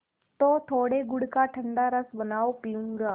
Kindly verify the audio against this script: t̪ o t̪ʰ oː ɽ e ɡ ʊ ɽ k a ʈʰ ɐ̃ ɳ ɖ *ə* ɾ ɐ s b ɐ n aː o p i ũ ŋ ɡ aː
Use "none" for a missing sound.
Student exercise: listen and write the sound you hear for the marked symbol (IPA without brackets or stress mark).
a